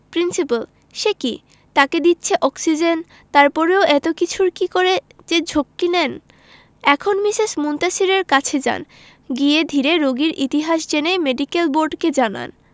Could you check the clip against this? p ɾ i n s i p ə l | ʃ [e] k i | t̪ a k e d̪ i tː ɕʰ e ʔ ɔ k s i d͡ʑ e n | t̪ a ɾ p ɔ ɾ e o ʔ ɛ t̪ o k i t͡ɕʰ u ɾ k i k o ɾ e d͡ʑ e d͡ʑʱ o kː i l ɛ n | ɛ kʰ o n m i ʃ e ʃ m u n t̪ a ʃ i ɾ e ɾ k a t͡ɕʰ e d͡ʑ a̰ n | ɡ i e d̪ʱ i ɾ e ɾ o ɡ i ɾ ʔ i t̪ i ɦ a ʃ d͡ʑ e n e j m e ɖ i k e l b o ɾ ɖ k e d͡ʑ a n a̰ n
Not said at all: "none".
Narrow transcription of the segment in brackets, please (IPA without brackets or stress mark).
e